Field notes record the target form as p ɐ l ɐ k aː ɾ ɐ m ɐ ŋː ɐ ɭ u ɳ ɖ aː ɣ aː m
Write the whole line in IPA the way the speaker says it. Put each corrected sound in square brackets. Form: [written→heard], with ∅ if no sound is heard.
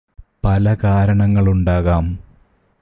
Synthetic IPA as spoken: p ɐ l ɐ k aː ɾ ɐ [m→ɳ] ɐ ŋː ɐ ɭ u ɳ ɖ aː ɣ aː m